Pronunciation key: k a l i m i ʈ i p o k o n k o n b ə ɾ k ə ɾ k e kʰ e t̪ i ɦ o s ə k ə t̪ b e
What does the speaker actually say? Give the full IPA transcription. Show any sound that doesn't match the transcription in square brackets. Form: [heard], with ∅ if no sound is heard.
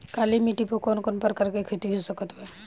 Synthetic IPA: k a l i m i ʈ i p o k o n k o n [p] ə ɾ k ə ɾ k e kʰ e t̪ i ɦ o s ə k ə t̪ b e